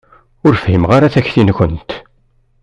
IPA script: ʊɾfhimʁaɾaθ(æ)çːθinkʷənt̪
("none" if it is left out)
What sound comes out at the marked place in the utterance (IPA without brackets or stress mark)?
æ